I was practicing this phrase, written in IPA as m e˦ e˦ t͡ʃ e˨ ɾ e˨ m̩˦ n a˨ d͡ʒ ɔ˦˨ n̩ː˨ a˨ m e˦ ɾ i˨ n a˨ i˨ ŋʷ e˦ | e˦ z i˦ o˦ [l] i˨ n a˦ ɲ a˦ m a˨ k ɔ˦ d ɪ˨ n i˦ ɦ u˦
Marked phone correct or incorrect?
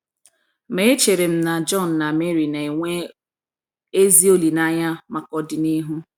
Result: correct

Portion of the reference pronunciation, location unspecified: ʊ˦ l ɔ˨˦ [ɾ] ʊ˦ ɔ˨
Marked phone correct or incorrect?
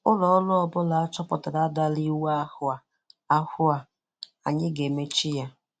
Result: incorrect: l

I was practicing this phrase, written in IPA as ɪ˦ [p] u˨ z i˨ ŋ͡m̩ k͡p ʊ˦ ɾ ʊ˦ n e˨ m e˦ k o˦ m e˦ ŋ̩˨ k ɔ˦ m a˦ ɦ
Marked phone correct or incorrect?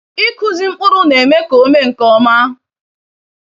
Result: incorrect: k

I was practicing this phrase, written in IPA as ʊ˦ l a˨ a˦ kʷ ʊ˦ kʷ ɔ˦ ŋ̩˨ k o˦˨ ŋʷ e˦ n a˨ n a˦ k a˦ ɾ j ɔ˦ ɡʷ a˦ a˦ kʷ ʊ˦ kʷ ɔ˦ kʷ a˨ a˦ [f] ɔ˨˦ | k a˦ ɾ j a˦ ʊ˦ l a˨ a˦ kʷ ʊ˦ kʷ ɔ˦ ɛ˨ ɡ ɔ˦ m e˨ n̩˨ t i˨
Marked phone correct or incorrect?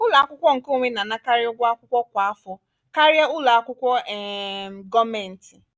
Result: correct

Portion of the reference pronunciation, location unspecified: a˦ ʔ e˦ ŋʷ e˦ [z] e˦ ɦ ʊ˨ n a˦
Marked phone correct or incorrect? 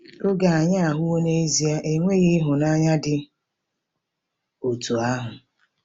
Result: incorrect: ɣ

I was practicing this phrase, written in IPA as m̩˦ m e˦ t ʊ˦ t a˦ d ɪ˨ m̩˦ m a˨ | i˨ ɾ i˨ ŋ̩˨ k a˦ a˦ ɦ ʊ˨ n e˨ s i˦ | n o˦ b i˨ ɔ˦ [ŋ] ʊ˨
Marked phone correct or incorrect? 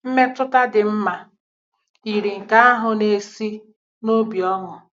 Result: correct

